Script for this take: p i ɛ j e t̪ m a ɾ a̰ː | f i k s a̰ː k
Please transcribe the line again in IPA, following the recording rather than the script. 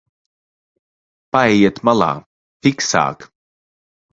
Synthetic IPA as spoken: p a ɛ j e t̪ m a l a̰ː | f i k s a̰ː k